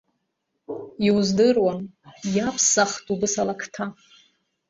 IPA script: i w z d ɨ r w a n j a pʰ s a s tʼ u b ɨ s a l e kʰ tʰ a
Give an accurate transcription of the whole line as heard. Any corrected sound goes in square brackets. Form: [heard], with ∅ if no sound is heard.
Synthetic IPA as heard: i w z d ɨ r w a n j a pʰ s a [χ] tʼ u b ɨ s a l [a] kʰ tʰ a